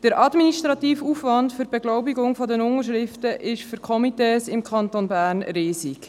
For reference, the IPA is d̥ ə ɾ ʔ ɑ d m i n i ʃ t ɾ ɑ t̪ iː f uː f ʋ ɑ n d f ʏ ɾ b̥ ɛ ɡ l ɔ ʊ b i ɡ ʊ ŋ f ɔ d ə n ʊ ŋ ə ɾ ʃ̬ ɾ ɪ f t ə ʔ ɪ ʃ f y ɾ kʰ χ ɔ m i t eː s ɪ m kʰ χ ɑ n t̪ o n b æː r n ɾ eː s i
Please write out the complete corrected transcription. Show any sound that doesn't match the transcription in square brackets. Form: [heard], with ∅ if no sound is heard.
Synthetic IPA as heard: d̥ ə ɾ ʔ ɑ d m i n i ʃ t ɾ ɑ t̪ iː f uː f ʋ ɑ n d f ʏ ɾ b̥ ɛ ɡ l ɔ ʊ b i ɡ ʊ ŋ f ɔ d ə n ʊ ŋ ə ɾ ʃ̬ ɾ ɪ f t ə ʔ ɪ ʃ f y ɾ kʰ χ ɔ m i t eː s ɪ m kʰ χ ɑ n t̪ o n b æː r n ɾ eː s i